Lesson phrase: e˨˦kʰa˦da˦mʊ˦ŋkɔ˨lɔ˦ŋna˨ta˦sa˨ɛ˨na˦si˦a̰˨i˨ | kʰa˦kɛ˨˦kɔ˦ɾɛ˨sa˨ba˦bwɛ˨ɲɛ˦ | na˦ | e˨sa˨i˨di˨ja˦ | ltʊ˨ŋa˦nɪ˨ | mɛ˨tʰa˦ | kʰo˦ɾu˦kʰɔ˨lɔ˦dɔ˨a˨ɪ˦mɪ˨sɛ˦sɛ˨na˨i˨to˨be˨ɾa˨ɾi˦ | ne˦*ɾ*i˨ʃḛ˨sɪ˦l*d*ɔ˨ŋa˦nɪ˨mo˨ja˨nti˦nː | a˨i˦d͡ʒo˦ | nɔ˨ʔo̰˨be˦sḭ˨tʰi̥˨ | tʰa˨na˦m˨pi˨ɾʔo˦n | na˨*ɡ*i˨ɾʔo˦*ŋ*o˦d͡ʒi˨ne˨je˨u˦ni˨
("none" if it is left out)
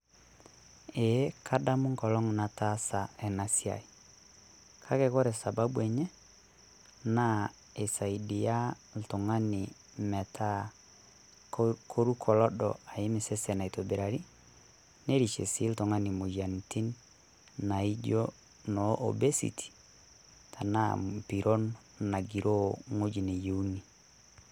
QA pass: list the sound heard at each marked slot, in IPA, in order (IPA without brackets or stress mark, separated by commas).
ɾ, t, ɡ, ŋ